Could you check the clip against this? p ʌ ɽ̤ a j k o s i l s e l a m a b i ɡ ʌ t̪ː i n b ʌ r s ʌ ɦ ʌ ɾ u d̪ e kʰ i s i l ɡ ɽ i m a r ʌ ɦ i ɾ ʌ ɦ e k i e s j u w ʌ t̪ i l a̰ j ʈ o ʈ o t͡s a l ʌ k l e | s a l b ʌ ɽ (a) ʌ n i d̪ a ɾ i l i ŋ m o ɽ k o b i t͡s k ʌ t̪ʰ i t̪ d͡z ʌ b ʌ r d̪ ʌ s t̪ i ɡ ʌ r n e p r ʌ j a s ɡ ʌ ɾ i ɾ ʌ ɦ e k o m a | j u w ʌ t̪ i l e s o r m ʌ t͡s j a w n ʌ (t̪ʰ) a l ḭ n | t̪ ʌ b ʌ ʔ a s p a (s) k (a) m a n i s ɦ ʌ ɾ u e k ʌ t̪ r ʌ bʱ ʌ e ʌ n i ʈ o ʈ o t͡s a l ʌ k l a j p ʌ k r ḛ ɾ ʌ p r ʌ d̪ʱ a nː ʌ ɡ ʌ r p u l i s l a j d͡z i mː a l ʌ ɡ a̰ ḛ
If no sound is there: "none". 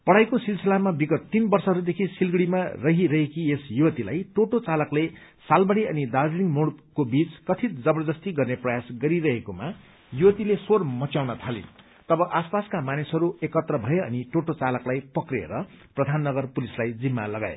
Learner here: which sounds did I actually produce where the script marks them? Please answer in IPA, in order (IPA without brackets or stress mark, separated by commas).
i, t̪ʰ, s, a